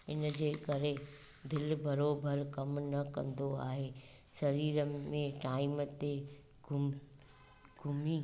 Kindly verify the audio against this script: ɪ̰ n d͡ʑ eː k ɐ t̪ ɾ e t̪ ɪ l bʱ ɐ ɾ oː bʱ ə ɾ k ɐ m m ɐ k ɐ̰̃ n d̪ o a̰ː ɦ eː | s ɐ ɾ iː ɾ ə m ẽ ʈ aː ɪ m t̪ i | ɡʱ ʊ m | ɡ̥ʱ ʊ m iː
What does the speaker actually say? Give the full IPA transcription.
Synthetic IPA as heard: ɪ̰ n d͡ʑ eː k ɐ ɾ e d̪ ɪ l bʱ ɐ ɾ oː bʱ ə ɾ k ɐ m n ɐ k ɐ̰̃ n d̪ o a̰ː ɦ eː | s ɐ ɾ iː ɾ ə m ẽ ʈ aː ɪ m t̪ e | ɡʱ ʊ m | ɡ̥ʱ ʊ m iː